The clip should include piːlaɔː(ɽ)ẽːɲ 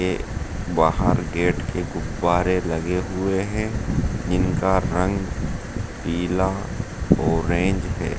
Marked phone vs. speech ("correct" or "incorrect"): incorrect